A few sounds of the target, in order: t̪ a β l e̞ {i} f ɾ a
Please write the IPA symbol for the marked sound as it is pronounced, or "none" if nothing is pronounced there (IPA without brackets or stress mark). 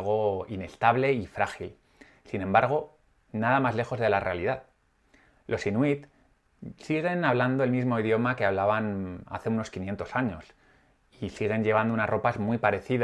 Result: i